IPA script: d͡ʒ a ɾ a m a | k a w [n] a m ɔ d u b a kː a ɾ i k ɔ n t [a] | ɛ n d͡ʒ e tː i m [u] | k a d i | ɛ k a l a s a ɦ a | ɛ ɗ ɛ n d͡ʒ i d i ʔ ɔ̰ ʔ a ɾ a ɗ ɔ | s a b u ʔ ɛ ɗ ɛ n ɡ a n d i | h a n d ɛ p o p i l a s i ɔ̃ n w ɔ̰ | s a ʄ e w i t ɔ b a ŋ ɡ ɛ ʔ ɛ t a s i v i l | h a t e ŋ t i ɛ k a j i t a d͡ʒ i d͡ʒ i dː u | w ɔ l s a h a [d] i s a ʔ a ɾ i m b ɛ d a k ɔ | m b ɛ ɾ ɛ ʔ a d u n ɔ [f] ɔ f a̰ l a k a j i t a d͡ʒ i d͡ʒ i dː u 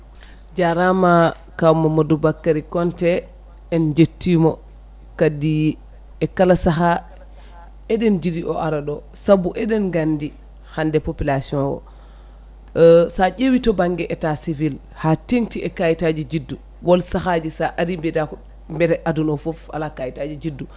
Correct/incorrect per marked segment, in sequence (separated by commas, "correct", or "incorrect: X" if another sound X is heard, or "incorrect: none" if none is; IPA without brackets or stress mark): incorrect: m, incorrect: ɛ, incorrect: ɔ, incorrect: d͡ʒ, correct